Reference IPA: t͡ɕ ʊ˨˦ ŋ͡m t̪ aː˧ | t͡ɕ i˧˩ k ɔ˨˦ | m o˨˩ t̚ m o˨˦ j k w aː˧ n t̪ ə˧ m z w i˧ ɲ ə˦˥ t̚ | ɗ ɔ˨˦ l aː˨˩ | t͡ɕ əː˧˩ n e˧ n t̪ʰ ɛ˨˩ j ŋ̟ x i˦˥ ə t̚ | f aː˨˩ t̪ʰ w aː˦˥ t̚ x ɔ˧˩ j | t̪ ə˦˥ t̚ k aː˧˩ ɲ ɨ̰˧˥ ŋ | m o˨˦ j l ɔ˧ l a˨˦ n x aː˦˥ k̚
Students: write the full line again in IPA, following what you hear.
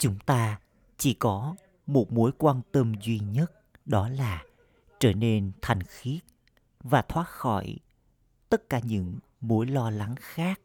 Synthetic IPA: t͡ɕ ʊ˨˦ ŋ͡m t̪ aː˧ | t͡ɕ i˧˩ k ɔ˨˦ | m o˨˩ t̚ m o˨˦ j k w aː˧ n t̪ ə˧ m z w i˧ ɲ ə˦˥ t̚ | ɗ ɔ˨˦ l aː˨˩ | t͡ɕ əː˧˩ n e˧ n t̪ʰ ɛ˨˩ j ŋ̟ x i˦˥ ə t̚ | v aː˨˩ t̪ʰ w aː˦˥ t̚ x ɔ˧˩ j | t̪ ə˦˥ t̚ k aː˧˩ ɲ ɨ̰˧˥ ŋ | m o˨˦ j l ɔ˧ l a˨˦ ŋ x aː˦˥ k̚